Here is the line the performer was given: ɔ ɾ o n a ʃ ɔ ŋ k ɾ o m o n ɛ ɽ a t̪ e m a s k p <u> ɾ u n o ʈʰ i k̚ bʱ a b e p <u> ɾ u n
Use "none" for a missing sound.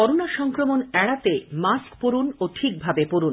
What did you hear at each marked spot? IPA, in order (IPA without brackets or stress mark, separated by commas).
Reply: o, o